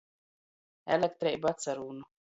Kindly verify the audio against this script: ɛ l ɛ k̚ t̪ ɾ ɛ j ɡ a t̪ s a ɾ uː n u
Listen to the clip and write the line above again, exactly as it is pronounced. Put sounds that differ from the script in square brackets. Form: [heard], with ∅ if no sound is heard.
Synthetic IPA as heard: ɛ l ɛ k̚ t̪ ɾ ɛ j [b] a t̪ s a ɾ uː n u